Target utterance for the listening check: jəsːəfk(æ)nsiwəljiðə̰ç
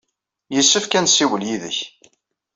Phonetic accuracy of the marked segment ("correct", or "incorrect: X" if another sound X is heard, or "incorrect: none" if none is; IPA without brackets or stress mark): correct